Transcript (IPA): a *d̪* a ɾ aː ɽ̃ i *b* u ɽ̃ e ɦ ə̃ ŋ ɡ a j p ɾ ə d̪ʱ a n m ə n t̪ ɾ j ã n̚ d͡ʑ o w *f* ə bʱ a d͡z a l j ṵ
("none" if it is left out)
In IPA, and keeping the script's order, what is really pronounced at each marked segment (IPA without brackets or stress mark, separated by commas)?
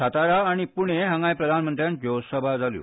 t̪, p, s